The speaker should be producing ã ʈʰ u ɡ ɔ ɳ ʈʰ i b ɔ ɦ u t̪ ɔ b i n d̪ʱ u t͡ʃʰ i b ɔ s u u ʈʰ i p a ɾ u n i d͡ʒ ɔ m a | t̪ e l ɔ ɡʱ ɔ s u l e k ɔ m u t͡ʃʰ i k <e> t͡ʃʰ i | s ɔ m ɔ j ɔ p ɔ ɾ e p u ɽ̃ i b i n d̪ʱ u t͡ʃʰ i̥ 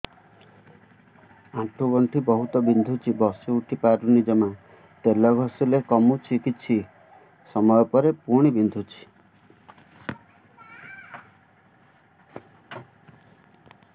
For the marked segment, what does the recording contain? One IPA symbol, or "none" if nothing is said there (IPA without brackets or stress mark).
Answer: i